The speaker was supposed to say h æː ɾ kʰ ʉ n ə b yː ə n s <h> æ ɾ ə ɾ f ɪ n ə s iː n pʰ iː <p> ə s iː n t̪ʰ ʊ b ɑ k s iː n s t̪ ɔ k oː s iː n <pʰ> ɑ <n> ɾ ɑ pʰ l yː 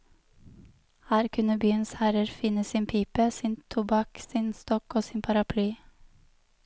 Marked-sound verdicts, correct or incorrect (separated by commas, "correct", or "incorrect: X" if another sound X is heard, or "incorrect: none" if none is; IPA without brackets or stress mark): correct, correct, correct, incorrect: none